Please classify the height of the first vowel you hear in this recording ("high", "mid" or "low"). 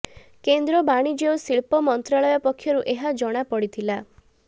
mid